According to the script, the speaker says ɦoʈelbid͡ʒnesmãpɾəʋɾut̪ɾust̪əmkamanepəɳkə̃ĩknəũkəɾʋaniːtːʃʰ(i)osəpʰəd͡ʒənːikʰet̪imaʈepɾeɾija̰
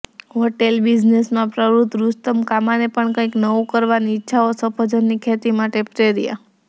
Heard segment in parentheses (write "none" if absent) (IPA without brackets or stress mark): a